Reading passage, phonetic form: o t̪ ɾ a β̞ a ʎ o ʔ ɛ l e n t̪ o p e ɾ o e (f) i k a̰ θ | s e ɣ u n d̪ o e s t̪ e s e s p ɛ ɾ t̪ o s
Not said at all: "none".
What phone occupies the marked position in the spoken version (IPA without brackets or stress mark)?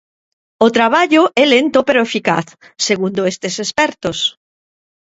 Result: f